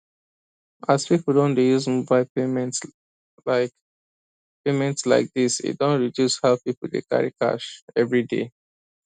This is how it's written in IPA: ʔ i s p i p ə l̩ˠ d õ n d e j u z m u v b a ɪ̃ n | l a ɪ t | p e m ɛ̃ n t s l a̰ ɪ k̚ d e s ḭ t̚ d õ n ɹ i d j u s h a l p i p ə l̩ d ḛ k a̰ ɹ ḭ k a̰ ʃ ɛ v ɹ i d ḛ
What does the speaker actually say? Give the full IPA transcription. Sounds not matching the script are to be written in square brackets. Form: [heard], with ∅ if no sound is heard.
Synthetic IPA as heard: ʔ [a] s p i p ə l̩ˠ d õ n d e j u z m u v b a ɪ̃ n | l a ɪ [k] | p e m ɛ̃ n t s l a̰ ɪ k̚ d [i] s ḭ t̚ d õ n ɹ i d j u s h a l p i p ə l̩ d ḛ k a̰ ɹ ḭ k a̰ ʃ ɛ v ɹ i d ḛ